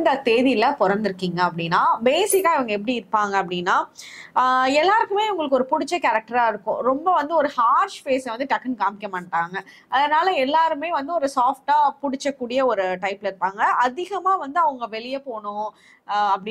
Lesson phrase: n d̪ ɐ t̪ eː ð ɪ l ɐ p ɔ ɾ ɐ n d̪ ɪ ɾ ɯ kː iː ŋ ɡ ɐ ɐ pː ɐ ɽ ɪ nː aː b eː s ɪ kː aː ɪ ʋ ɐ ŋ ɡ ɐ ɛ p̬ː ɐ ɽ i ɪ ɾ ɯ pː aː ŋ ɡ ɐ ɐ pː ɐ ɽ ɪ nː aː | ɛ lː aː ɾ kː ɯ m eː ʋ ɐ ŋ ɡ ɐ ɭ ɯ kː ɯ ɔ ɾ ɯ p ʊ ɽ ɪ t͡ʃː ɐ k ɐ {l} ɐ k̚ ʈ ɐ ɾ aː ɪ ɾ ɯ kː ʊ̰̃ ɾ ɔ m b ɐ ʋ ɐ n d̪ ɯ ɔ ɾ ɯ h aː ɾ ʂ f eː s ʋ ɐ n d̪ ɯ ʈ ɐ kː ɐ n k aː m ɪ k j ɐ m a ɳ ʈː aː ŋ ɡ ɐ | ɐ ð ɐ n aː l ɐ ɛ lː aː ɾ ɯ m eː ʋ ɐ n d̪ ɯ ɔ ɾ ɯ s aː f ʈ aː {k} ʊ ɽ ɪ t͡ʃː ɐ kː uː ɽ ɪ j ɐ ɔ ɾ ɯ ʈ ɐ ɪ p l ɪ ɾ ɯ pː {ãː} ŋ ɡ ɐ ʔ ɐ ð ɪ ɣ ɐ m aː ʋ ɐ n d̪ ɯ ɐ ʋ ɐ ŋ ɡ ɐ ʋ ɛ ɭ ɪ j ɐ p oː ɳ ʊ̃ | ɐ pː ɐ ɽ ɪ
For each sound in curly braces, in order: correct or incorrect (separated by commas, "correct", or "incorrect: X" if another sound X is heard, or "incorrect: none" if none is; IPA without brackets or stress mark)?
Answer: incorrect: ɾ, incorrect: p, incorrect: aː